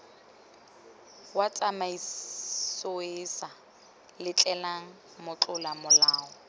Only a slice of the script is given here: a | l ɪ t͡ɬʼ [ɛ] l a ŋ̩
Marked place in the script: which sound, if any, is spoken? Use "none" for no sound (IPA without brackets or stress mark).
ɛ